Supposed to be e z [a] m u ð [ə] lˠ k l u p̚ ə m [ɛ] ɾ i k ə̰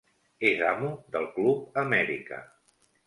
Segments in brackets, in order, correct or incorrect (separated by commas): correct, correct, correct